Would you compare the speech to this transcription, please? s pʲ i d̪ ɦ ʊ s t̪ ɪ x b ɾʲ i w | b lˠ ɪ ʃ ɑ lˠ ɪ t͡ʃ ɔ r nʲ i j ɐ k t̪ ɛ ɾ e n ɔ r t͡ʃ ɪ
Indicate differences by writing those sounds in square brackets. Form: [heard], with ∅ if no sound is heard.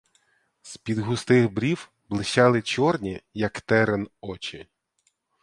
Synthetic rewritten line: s pʲ i d̪ ɦ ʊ s t̪ ɪ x b ɾʲ i w | b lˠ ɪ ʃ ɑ lˠ ɪ t͡ʃ ɔ r nʲ i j ɐ k t̪ ɛ ɾ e n ɔ [∅] t͡ʃ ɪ

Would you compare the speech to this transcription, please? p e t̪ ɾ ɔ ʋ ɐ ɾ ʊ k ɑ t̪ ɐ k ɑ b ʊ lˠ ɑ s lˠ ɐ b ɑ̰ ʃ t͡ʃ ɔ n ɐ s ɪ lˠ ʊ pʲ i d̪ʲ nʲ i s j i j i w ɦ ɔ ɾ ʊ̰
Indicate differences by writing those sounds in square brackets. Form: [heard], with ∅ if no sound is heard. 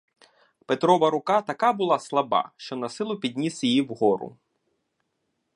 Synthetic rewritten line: p e t̪ ɾ ɔ ʋ ɐ ɾ ʊ k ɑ t̪ ɐ k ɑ b ʊ lˠ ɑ s lˠ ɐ b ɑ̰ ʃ t͡ʃ ɔ n ɐ s ɪ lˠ ʊ pʲ i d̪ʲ nʲ i s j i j i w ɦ ɔ ɾ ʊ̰

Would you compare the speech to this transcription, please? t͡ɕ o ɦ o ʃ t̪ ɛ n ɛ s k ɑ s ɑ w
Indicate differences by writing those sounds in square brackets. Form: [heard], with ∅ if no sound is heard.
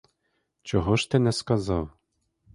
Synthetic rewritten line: t͡ɕ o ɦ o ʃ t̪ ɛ n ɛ s k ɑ [z] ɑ w

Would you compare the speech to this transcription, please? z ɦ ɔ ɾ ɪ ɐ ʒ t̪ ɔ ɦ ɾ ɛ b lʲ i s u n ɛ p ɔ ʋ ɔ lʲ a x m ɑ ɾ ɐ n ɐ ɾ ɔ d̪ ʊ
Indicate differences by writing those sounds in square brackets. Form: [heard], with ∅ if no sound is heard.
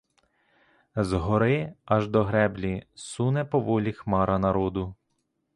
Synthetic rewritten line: z ɦ ɔ ɾ ɪ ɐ ʒ [d̪] ɔ ɦ ɾ ɛ b lʲ i s u n ɛ p ɔ ʋ ɔ lʲ [i] x m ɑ ɾ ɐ n ɐ ɾ ɔ d̪ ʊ

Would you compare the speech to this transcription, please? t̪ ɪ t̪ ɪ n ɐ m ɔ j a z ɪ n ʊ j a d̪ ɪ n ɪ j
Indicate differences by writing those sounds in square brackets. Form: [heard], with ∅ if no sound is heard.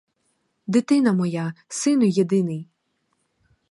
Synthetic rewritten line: [d̪] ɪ t̪ ɪ n ɐ m ɔ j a [s] ɪ n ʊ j [e] d̪ ɪ n ɪ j

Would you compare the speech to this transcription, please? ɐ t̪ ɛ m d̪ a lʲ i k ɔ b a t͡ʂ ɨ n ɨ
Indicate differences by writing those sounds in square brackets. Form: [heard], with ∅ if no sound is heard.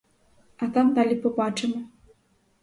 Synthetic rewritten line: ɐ t̪ [a] m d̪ a lʲ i [p] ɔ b a t͡ʂ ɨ [m] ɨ

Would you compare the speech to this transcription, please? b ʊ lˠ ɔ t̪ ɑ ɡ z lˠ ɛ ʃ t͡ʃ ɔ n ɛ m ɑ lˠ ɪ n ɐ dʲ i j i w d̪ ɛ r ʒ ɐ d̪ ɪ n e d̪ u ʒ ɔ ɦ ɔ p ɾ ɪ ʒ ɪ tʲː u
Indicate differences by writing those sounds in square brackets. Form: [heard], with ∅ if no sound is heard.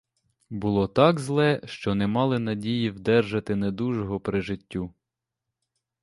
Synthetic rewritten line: b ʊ lˠ ɔ t̪ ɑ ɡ z lˠ ɛ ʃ t͡ʃ ɔ n ɛ m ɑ lˠ ɪ n ɐ dʲ i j i w d̪ ɛ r ʒ ɐ [t̪] ɪ n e d̪ u ʒ ɔ ɦ ɔ p ɾ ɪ ʒ ɪ tʲː u

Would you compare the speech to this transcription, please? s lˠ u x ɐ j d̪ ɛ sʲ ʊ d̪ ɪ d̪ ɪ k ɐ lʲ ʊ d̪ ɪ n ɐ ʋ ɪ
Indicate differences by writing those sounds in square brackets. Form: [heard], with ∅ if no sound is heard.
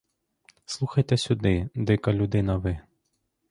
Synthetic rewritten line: s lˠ u x ɐ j [t̪] ɛ sʲ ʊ d̪ ɪ d̪ ɪ k ɐ lʲ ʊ d̪ ɪ n ɐ ʋ ɪ

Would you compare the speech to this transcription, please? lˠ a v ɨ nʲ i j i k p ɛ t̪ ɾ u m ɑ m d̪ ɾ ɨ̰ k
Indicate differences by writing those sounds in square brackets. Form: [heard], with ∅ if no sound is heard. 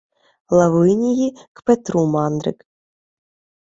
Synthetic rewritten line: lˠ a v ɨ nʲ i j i k p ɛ t̪ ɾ u m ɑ [n] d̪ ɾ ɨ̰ k

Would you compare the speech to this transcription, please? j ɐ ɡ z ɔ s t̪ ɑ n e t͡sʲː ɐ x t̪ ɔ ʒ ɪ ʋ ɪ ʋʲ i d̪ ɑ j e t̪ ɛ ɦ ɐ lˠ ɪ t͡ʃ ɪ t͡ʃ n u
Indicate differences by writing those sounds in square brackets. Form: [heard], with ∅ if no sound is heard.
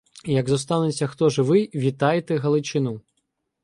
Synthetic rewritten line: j ɐ ɡ z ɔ s t̪ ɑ n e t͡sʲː ɐ x t̪ ɔ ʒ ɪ ʋ ɪ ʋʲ i [t̪] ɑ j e t̪ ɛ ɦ ɐ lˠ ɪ t͡ʃ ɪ [∅] n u

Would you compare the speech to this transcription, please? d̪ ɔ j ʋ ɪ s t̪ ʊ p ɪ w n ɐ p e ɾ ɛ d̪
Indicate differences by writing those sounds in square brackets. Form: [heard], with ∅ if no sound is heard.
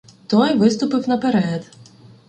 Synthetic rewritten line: [t̪] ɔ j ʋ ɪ s t̪ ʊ p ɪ w n ɐ p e ɾ ɛ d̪

